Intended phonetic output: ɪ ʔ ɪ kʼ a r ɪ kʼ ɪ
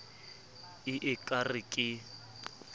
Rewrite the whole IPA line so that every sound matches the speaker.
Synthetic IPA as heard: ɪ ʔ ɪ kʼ a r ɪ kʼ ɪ

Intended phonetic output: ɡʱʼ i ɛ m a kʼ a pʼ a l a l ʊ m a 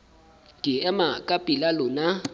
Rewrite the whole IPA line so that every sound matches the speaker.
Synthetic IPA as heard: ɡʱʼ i ɛ m a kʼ a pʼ i l a l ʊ n a

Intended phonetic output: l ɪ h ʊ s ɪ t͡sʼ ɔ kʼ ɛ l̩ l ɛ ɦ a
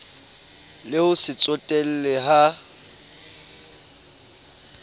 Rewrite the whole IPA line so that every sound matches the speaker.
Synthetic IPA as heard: l ɪ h ʊ s ɪ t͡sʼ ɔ tʼ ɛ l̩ l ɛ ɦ a

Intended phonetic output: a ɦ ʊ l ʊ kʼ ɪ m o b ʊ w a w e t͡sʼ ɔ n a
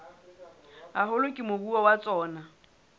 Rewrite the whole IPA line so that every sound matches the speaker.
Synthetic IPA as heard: a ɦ ʊ l ʊ kʼ ɪ m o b u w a w a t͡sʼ ɔː n a

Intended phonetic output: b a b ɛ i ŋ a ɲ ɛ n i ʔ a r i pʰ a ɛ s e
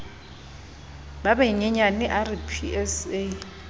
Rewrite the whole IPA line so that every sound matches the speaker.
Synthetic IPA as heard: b a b ɛ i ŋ ɛ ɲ a n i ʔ a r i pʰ i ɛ s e

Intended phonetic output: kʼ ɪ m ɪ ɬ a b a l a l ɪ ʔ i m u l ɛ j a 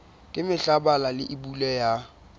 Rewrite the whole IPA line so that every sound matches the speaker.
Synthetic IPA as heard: kʼ ɪ m ɪ ɬ a b a l a l ɪ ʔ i b u l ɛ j a

